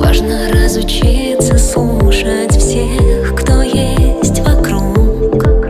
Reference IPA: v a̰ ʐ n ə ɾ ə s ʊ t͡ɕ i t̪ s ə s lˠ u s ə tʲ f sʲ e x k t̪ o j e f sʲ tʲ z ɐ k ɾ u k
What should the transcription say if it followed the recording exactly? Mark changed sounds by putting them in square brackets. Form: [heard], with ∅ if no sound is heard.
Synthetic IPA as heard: v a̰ ʐ n ə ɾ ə [z] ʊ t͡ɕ i t̪ s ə s lˠ u [ʂ] ə tʲ f sʲ e x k t̪ o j e [∅] sʲ tʲ [v] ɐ k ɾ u k

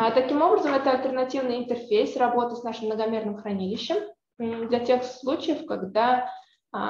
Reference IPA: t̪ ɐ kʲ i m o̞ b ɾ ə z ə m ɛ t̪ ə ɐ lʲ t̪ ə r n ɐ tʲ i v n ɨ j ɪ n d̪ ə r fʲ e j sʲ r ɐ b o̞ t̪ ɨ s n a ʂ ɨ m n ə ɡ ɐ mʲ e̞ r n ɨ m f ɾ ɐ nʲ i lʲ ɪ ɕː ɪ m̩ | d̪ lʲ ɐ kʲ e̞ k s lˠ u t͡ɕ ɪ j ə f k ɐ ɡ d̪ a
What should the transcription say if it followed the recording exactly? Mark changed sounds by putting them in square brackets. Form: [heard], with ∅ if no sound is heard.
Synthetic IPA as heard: t̪ ɐ kʲ i m o̞ b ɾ ə z ə m ɛ t̪ ə ɐ lʲ t̪ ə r n ɐ tʲ i v n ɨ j ɪ n [t̪] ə r fʲ e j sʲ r ɐ b o̞ t̪ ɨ s n a ʂ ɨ m n ə ɡ ɐ mʲ e̞ r n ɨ m [x] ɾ ɐ nʲ i lʲ ɪ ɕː ɪ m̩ | d̪ lʲ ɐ [tʲ] e̞ [x] s lˠ u t͡ɕ ɪ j ə f k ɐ ɡ d̪ a

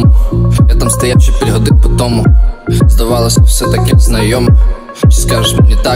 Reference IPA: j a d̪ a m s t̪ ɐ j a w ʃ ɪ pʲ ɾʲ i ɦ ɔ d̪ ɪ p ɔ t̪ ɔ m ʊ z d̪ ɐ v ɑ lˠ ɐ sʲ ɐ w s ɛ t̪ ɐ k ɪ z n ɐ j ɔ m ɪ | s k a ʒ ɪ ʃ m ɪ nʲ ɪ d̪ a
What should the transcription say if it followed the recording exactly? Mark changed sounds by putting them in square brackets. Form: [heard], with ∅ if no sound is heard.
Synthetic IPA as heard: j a [t̪] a m s t̪ ɐ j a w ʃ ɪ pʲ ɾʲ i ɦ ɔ d̪ ɪ p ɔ t̪ ɔ m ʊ z d̪ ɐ [ʋ] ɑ lˠ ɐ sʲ ɐ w s ɛ t̪ ɐ k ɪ z n ɐ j ɔ m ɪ | s k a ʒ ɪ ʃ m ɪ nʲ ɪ [t̪] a

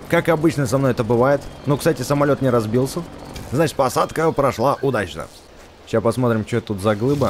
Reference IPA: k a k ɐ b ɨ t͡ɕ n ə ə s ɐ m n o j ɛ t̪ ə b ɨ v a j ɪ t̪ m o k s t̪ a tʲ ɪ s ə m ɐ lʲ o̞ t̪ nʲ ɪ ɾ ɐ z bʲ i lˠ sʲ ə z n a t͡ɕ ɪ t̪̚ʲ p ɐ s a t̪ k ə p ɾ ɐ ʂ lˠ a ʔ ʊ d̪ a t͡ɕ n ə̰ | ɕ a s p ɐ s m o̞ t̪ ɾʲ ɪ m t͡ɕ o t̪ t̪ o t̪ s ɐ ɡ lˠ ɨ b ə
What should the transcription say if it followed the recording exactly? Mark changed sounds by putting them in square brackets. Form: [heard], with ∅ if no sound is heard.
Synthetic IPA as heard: k a k ɐ b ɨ t͡ɕ n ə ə s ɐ m n o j ɛ t̪ ə b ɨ v a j ɪ t̪ [n] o k s t̪ a tʲ ɪ s ə m ɐ lʲ o̞ t̪ nʲ ɪ ɾ ɐ z bʲ i lˠ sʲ ə z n a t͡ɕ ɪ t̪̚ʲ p ɐ s a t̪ k ə p ɾ ɐ ʂ lˠ a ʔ ʊ d̪ a t͡ɕ n ə̰ | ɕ a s p ɐ s m o̞ t̪ ɾʲ ɪ m t͡ɕ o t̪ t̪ [u] t̪ [z] ɐ ɡ lˠ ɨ b ə

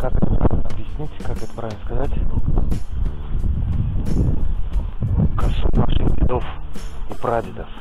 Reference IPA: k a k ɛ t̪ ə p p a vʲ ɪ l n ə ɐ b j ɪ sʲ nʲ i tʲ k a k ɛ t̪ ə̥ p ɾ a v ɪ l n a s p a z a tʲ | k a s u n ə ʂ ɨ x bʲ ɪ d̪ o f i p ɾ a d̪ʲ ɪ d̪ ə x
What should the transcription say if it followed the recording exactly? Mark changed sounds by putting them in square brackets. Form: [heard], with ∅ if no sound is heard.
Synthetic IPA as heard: k a k ɛ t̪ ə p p a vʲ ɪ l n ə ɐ b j ɪ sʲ nʲ i tʲ k a k ɛ t̪ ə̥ p ɾ a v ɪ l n [ə] s [k] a z a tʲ | k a s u n [a] ʂ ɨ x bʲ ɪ d̪ o f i p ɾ a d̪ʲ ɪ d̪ ə [f]

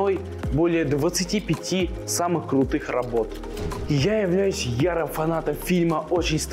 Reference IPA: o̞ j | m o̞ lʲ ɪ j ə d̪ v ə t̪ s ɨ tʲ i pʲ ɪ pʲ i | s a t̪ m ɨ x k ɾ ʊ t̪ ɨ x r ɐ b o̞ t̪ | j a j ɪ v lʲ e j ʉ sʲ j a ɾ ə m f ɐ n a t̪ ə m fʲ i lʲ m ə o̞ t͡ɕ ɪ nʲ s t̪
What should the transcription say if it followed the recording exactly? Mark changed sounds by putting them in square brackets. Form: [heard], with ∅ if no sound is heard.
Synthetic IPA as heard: o̞ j | [b] o̞ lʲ ɪ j ə d̪ v ə t̪ s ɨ tʲ i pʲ ɪ [tʲ] i | s a [∅] m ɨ x k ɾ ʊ t̪ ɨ x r ɐ b o̞ t̪ | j a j ɪ v lʲ [æ] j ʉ sʲ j a ɾ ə m f ɐ n a t̪ ə m fʲ i lʲ m ə o̞ t͡ɕ ɪ nʲ s t̪

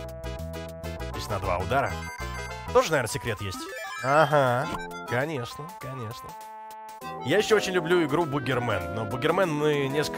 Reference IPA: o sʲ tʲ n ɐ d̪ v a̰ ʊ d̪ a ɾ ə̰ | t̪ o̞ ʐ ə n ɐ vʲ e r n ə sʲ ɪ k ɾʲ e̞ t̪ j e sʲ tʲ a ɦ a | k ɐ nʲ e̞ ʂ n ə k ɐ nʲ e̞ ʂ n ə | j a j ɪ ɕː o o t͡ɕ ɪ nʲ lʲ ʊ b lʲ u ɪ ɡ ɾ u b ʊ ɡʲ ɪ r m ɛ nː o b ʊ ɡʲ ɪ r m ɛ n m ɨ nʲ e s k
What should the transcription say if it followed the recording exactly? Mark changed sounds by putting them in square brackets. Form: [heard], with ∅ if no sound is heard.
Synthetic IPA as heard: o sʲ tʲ n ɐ d̪ v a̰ ʊ d̪ a ɾ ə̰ | t̪ o̞ ʐ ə n ɐ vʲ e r n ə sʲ ɪ k ɾʲ e̞ t̪ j e sʲ tʲ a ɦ a | k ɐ nʲ e̞ ʂ n ə k ɐ nʲ e̞ ʂ n ə | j a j ɪ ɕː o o t͡ɕ ɪ nʲ lʲ ʊ b lʲ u ɪ ɡ ɾ u b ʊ ɡʲ ɪ r m ɛ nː o b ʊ ɡʲ ɪ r m ɛ n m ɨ nʲ e s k

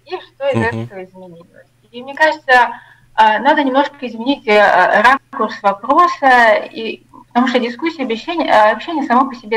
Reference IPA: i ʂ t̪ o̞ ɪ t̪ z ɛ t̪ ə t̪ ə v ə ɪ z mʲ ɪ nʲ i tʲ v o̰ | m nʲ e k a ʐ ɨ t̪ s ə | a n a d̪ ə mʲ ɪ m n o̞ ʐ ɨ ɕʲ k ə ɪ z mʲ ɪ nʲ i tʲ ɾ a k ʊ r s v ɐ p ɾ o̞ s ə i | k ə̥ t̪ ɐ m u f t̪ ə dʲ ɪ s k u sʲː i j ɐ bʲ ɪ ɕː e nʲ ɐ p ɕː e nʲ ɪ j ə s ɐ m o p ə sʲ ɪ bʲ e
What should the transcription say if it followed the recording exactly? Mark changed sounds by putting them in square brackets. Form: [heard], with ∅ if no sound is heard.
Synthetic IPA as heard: i ʂ t̪ o̞ ɪ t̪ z ɛ t̪ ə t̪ ə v ə ɪ z mʲ ɪ nʲ i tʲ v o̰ | m nʲ e k a ʐ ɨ t̪ s ə | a n a d̪ ə [nʲ] ɪ m n o̞ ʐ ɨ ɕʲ k ə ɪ z mʲ ɪ nʲ i tʲ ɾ a k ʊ r s v ɐ p ɾ o̞ s ə i | [p] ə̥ t̪ ɐ m u [ʂ] t̪ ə dʲ ɪ s k u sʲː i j ɐ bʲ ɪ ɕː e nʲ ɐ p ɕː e nʲ ɪ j ə s ɐ m o p ə sʲ ɪ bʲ e

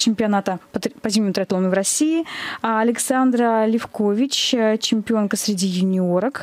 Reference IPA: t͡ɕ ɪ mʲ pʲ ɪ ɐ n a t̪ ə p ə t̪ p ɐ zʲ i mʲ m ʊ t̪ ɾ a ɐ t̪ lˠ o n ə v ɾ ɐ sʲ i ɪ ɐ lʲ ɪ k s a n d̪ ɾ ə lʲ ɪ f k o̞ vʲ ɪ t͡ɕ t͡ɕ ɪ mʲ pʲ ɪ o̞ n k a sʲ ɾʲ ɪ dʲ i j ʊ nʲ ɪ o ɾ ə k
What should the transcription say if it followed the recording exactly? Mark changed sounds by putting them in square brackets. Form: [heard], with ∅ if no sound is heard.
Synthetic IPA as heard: t͡ɕ ɪ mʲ pʲ ɪ ɐ n a t̪ ə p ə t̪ p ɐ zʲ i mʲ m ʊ t̪ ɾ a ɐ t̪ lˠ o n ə v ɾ ɐ sʲ i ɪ ɐ lʲ ɪ k s a n d̪ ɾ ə lʲ ɪ f k o̞ vʲ ɪ t͡ɕ t͡ɕ ɪ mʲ pʲ ɪ o̞ n k [ə] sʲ ɾʲ ɪ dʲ i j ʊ nʲ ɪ o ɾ ə k

